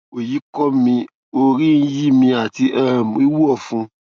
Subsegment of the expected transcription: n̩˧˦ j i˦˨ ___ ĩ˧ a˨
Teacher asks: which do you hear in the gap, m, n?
m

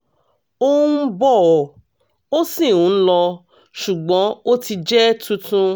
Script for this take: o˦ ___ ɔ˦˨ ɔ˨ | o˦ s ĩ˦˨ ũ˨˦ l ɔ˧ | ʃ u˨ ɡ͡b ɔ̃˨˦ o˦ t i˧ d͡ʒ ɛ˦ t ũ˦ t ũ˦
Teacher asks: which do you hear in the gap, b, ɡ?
b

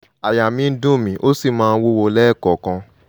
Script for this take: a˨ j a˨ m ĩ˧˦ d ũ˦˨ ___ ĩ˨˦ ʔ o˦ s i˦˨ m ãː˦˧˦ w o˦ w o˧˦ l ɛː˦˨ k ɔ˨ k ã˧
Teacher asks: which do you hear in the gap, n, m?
m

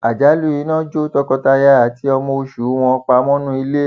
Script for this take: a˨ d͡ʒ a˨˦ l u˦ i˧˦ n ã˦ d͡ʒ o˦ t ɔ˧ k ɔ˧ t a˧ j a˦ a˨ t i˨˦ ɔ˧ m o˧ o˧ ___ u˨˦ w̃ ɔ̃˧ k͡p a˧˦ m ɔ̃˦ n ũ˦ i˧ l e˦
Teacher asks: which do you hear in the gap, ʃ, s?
ʃ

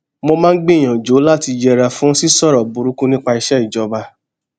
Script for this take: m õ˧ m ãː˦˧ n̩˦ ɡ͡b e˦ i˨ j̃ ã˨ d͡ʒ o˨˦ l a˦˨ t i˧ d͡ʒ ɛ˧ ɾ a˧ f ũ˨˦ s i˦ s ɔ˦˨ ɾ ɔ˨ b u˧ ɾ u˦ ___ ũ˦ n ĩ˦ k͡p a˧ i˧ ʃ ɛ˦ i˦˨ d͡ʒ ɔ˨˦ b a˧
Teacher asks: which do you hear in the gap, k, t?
k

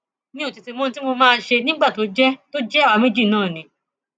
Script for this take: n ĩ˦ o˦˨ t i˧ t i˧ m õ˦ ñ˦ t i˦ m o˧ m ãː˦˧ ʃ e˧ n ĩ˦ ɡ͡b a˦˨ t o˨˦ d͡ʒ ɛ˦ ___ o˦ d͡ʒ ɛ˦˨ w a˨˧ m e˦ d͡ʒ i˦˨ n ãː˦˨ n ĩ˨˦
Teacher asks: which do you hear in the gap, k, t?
t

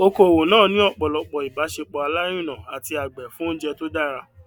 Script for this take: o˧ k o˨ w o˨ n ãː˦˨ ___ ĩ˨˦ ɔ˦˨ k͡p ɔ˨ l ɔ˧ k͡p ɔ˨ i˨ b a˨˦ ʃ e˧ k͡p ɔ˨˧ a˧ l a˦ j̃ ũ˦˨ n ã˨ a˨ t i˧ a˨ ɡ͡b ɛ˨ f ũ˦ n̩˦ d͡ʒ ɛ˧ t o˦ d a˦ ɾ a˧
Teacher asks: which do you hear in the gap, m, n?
n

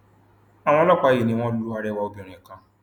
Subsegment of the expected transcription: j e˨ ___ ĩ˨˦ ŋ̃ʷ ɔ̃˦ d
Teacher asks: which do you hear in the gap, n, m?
n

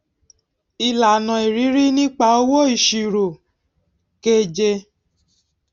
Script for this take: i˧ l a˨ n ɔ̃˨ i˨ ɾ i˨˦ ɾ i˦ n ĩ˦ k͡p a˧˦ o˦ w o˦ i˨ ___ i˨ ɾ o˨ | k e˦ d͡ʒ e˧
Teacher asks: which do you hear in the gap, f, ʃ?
ʃ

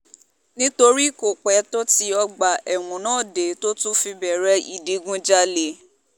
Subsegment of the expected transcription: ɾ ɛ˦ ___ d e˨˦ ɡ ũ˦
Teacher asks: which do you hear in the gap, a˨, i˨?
i˨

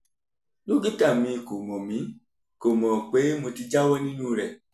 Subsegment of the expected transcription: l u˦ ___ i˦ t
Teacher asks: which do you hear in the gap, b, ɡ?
ɡ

